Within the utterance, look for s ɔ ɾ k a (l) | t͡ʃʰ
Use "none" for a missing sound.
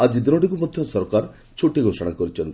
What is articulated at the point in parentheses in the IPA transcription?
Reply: ɾ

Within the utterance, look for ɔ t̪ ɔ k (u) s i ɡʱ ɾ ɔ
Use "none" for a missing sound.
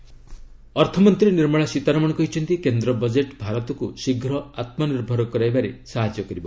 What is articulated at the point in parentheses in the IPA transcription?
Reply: u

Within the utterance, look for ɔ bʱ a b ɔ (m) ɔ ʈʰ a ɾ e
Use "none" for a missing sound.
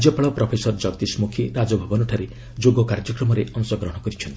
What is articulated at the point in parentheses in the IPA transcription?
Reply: n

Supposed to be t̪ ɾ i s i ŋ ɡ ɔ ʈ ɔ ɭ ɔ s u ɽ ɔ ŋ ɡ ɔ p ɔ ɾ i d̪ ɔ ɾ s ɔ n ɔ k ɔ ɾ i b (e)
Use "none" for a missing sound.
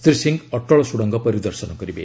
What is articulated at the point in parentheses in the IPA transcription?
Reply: e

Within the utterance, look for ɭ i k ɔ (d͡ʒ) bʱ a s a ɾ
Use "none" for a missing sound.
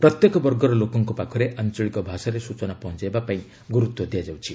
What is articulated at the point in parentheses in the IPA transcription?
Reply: none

